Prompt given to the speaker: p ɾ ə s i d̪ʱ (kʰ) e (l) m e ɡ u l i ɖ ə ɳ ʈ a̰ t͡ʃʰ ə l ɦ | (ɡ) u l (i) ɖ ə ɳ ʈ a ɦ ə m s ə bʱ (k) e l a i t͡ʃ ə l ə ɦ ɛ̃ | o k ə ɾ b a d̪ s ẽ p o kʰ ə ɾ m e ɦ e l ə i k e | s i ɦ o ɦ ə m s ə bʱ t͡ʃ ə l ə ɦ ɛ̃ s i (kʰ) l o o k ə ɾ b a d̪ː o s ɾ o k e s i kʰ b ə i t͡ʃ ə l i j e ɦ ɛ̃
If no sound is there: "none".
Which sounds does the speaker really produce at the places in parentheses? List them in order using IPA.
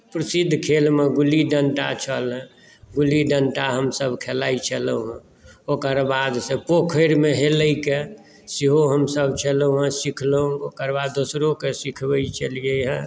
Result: kʰ, l, ɡ, i, kʰ, kʰ

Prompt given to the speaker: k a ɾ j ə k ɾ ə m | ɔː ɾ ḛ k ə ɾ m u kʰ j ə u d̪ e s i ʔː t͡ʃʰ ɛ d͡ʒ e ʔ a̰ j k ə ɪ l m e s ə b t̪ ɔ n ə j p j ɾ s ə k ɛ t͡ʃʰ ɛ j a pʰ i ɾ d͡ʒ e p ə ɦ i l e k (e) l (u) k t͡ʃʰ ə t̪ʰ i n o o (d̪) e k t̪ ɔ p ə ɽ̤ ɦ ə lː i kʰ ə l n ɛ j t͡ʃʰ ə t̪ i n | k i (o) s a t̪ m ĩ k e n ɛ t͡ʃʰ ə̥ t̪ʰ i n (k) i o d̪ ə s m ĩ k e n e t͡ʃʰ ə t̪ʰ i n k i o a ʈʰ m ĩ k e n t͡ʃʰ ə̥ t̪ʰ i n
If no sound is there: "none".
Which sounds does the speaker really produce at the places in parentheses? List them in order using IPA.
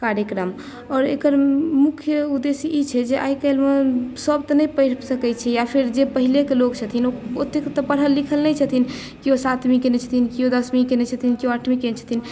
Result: e, o, t̪, o, k

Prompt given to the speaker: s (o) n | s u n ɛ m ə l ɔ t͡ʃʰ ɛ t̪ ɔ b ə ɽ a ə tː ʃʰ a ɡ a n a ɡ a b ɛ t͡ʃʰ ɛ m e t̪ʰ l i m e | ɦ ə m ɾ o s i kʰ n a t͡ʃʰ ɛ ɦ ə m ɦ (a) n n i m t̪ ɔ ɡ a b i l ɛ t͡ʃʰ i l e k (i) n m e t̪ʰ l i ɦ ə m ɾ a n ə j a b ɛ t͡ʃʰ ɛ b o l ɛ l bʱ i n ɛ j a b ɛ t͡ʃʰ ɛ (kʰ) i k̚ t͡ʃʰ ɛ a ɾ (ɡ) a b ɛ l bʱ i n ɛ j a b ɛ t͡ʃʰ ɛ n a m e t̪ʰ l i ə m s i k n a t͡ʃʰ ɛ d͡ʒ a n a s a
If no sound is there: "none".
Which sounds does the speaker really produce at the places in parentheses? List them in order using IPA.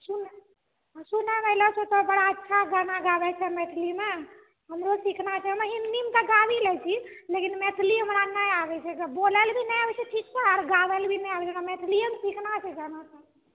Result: u, i, i, ʈʰ, ɡ

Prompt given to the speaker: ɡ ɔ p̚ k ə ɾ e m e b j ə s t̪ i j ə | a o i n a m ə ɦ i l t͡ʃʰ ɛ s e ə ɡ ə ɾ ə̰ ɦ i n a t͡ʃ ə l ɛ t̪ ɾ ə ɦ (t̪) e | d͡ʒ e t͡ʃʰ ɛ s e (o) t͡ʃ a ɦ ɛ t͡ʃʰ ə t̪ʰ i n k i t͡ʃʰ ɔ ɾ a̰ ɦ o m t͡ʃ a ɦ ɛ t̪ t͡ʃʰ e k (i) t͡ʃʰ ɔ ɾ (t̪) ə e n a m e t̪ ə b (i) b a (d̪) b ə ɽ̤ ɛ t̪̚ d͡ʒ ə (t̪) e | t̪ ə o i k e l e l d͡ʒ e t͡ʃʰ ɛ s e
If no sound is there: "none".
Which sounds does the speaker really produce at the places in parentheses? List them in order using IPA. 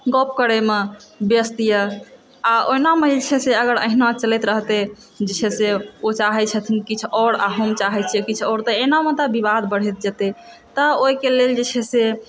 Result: t̪, o, i, t̪, i, d̪, t̪

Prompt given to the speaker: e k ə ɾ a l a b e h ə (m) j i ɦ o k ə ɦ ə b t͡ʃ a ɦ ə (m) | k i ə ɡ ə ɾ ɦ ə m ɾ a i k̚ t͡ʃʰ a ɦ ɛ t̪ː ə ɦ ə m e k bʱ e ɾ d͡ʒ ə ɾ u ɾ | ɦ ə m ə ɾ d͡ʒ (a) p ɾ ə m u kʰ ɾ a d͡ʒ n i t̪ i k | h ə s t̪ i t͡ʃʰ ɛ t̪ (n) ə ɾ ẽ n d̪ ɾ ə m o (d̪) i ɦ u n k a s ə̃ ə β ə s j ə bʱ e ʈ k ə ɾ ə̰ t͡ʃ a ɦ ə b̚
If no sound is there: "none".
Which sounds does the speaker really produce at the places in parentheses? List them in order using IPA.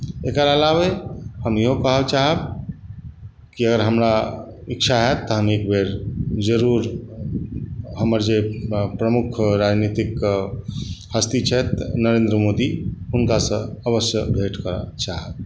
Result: m, b, e, n, d̪

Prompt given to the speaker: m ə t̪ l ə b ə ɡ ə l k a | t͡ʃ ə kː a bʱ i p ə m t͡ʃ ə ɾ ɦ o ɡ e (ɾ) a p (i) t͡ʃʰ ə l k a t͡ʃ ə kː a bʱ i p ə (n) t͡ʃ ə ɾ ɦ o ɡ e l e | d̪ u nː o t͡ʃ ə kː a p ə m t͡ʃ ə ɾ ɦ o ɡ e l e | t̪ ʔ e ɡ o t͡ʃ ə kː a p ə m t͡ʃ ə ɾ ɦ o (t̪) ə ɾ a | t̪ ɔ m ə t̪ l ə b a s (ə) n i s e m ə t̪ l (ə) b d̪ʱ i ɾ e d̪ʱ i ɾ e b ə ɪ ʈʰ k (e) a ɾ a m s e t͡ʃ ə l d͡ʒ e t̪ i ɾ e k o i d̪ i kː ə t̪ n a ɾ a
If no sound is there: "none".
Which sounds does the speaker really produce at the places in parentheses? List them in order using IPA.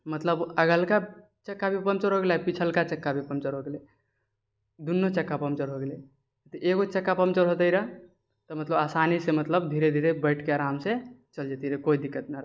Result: l, i, m, t̪, a, ə, e

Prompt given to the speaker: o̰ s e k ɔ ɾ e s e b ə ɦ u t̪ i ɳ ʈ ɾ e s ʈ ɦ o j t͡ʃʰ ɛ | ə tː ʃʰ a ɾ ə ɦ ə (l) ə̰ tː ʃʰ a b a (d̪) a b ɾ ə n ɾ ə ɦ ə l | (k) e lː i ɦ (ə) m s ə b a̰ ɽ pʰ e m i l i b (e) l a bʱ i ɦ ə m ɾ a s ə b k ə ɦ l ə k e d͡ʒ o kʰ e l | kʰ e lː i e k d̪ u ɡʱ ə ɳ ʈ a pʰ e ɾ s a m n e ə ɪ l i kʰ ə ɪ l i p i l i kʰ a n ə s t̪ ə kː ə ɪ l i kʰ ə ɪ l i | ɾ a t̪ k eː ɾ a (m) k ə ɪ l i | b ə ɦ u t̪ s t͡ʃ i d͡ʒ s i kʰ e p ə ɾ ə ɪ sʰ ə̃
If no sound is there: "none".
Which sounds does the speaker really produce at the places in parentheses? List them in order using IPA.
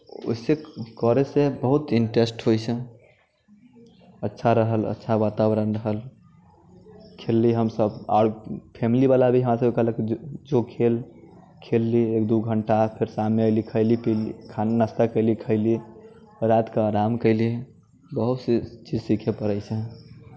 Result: l, t̪, kʰ, ə, a, m

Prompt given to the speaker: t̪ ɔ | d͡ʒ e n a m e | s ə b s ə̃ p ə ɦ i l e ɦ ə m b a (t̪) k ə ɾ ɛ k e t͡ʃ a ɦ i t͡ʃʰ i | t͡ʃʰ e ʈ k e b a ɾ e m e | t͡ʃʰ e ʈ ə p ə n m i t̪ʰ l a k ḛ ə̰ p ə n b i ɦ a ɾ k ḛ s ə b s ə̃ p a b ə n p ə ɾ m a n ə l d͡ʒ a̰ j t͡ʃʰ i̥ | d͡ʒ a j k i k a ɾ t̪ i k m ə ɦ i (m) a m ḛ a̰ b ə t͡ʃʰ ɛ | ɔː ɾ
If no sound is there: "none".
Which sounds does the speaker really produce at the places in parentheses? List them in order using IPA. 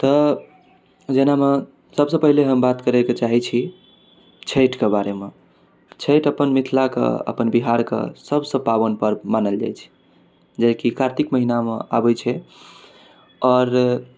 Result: t̪, n

